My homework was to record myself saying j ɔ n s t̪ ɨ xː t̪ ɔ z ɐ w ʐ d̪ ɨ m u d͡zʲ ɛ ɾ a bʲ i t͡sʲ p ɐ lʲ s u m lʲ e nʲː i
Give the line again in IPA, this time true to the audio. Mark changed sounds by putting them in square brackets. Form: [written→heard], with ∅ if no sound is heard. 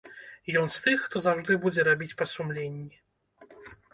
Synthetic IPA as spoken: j ɔ n s t̪ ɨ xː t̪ ɔ z [ɐ→a] w ʐ d̪ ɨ [m→b] u d͡zʲ ɛ ɾ a bʲ i t͡sʲ p ɐ [lʲ→∅] s u m lʲ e nʲː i